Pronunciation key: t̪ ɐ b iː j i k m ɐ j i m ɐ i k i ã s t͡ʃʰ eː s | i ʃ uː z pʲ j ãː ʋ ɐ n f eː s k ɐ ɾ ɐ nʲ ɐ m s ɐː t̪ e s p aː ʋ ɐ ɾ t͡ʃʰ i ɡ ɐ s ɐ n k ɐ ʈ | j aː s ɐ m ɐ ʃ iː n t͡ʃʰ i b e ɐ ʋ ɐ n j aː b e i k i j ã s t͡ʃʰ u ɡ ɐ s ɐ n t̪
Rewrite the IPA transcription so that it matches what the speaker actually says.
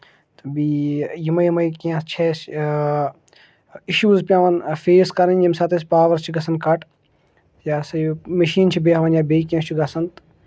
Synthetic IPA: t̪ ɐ b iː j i m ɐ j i m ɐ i k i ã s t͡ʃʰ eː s | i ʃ uː z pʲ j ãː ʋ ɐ n f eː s k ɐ ɾ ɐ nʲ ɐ m s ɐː t̪ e s p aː ʋ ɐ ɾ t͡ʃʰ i ɡ ɐ s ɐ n k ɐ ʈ | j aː s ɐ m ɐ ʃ iː n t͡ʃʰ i b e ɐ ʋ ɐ n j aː b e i k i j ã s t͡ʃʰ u ɡ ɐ s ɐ n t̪

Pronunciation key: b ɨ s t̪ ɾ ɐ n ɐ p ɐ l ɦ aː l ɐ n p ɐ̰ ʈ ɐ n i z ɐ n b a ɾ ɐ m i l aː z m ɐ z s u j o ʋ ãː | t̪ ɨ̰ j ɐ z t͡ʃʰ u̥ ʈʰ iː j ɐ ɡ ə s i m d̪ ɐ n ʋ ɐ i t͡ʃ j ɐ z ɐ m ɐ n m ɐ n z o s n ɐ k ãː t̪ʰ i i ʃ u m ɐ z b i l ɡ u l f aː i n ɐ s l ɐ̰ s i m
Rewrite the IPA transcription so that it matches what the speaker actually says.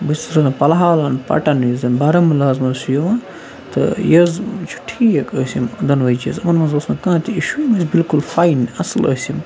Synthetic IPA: b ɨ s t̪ ɾ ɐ n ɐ p ɐ l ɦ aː l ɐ n p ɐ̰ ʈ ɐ n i z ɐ n b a ɾ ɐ m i l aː z m ɐ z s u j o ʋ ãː | t̪ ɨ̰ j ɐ z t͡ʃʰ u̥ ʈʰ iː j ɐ k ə s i m d̪ ɐ n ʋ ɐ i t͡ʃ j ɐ z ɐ m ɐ n m ɐ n z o s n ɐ k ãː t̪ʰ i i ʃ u m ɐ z b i l k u l f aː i n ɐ s l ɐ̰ s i m

